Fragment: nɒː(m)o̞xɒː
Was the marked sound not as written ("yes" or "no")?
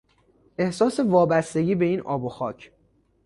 yes